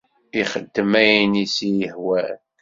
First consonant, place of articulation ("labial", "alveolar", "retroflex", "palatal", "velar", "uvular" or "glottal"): uvular